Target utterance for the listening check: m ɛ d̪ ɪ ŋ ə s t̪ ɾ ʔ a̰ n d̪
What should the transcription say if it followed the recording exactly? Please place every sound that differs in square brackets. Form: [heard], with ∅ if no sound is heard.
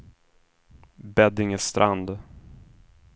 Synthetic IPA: [b] ɛ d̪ ɪ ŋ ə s t̪ ɾ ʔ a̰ n d̪